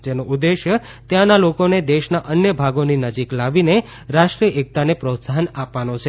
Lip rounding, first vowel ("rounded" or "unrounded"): unrounded